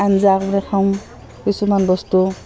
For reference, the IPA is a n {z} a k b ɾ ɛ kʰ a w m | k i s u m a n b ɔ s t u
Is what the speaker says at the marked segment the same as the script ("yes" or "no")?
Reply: yes